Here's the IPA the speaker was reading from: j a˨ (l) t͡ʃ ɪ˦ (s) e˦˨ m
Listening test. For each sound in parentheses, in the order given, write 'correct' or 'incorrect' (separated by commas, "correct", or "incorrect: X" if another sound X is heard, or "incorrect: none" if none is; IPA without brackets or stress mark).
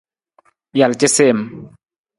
correct, correct